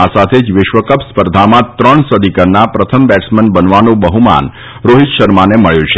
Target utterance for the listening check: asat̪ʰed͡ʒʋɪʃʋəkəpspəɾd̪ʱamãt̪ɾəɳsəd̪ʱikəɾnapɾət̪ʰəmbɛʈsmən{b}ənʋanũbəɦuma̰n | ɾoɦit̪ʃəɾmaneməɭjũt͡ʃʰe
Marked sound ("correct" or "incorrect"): correct